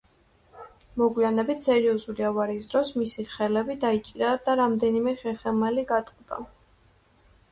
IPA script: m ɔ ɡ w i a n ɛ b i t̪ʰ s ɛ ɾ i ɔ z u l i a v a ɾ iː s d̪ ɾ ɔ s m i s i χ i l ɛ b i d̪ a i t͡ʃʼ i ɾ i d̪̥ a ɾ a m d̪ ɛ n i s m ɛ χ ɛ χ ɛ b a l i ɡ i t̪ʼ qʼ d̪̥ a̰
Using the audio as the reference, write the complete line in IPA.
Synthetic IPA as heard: m ɔ ɡ w i a n ɛ b i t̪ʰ s ɛ ɾ i ɔ z u l i a v a ɾ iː s d̪ ɾ ɔ s m i s i χ ɛ l ɛ b i d̪ a i t͡ʃʼ i ɾ a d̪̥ a ɾ a m d̪ ɛ n i m ɛ χ ɛ χ ɛ m a l i ɡ a t̪ʼ qʼ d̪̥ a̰

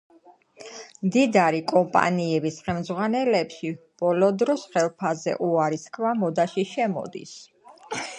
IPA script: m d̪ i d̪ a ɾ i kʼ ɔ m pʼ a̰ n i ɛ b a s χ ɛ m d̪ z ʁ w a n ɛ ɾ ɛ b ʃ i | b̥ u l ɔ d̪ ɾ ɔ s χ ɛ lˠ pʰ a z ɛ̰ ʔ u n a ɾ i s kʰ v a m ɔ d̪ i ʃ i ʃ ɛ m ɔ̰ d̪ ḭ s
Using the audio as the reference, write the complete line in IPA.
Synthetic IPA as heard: m d̪ i d̪ a ɾ i kʼ ɔ m pʼ a̰ n i ɛ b i s χ ɛ m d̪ z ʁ w a n ɛ l ɛ p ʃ i | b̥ ɔ l ɔ d̪ ɾ ɔ s χ ɛ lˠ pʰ a z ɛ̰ ʔ u a ɾ i s kʰ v a m ɔ d̪ a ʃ i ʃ ɛ m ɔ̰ d̪ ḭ s

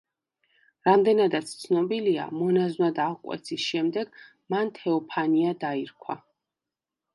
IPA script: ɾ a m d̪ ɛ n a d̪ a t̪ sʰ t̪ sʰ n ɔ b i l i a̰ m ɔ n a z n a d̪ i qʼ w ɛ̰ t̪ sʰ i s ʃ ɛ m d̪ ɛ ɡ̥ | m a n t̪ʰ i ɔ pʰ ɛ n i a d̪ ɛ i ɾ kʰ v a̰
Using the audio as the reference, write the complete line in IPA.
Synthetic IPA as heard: ɾ a m d̪ ɛ n a d̪ a t̪ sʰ t̪ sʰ n ɔ b i l i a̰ m ɔ n a z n a d̪ a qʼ w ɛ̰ t̪ sʰ i s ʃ ɛ m d̪ ɛ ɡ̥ | m a n t̪ʰ ɛ ɔ pʰ a n i a d̪ a i ɾ kʰ w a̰

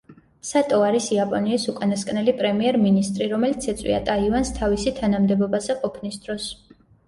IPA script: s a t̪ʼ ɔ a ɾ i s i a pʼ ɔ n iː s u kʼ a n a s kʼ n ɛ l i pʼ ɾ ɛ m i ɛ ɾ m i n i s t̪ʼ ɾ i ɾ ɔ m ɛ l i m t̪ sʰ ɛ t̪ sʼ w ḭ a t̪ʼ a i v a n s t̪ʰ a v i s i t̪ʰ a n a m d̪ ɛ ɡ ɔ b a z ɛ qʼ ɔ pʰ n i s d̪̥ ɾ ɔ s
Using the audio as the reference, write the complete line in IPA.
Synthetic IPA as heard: s a t̪ʼ ɔ a ɾ i s i a pʼ ɔ n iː s u kʼ a n a s kʼ n ɛ l i pʼ ɾ ɛ m i ɛ ɾ m i n i s t̪ʼ ɾ i ɾ ɔ m ɛ l i t̪ sʰ ɛ t̪ sʼ w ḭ a t̪ʼ a i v a n s t̪ʰ a v i s i t̪ʰ a n a m d̪ ɛ b ɔ b a z ɛ qʼ ɔ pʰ n i s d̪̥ ɾ ɔ s

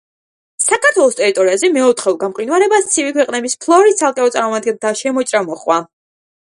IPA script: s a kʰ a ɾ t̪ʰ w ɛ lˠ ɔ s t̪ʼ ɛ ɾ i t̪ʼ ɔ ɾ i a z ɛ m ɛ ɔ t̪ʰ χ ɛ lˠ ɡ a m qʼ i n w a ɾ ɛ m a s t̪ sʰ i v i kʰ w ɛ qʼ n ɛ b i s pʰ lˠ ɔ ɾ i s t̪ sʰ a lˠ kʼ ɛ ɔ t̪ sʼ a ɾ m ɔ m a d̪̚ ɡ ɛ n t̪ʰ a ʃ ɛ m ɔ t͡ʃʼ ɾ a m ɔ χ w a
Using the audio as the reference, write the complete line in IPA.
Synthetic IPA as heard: s a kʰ a ɾ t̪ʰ w ɛ lˠ ɔ s t̪ʼ ɛ ɾ i t̪ʼ ɔ ɾ i a z ɛ m ɛ ɔ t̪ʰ χ ɛ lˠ ɡ a m qʼ i n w a ɾ ɛ b a s t̪ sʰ i v i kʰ w ɛ qʼ n ɛ b i s pʰ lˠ ɔ ɾ i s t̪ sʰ a lˠ kʼ ɛ ɔ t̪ sʼ a ɾ m ɔ m a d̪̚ ɡ ɛ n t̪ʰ a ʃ ɛ m ɔ t͡ʃʼ ɾ a m ɔ χ w a

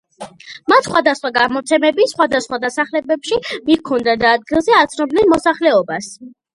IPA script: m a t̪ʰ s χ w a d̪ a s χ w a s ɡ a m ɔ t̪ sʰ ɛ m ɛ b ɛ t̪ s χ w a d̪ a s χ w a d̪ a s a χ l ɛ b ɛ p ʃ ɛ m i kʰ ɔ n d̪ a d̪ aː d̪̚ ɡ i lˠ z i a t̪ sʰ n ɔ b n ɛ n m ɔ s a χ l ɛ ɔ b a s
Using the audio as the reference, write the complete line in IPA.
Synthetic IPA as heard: m a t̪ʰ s χ w a d̪ a s χ w a ɡ a m ɔ t̪ sʰ ɛ m ɛ b i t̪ s χ w a d̪ a s χ w a d̪ a s a χ l ɛ b ɛ p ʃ i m i kʰ ɔ n d̪ a d̪ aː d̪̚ ɡ i lˠ z ɛ a t̪ sʰ n ɔ b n ɛ n m ɔ s a χ l ɛ ɔ b a s

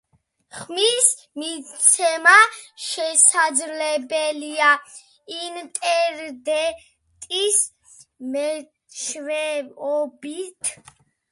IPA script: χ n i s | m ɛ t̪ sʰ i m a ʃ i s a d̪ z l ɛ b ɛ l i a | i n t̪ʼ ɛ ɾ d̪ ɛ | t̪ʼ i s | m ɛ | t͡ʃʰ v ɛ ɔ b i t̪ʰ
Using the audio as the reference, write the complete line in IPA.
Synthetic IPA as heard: χ m i s | m i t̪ sʰ ɛ m a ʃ ɛ s a d̪ z l ɛ b ɛ l i a | i n t̪ʼ ɛ ɾ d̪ ɛ | t̪ʼ i s | m ɛ | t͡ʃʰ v ɛ ɔ b i t̪ʰ

